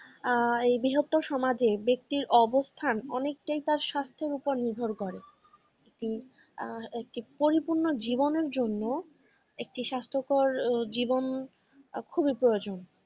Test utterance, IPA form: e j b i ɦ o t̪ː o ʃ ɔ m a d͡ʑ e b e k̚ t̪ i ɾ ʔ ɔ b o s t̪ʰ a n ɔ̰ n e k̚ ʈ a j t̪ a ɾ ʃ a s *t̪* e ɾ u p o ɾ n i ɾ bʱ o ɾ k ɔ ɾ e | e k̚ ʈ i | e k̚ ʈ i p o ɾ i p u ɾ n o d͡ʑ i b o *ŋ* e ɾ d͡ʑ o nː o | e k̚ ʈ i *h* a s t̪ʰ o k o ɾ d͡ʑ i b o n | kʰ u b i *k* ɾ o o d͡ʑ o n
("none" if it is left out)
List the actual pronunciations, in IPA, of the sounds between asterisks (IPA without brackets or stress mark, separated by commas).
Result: t̪ʰ, n, ʃ, p